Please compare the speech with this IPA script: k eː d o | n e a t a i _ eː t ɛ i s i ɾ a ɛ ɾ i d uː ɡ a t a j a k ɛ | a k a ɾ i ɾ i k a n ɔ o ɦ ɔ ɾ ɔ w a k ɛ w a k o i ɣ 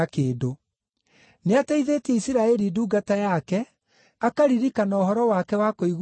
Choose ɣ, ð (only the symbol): ð